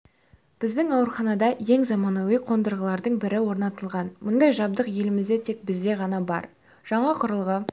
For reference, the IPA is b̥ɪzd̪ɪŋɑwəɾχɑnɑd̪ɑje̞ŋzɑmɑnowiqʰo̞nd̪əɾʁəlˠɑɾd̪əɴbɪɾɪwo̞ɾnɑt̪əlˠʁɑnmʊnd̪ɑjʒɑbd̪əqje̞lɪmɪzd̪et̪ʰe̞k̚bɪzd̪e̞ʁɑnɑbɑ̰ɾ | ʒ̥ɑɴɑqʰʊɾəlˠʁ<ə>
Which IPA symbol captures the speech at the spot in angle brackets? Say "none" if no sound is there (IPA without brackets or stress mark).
ə